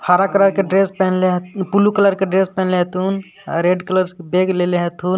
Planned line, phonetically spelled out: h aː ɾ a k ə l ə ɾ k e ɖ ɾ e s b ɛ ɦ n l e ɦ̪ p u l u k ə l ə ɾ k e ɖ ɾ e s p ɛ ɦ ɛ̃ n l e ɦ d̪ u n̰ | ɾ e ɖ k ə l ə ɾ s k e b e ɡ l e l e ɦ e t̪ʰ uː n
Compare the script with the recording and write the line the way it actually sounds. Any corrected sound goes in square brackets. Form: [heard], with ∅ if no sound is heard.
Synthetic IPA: h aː ɾ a k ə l ə ɾ k e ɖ ɾ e s [p] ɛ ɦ n l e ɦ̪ p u l u k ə l ə ɾ k e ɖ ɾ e s p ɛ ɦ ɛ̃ n l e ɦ [t̪] u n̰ | ɾ e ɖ k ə l ə ɾ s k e b e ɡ l e l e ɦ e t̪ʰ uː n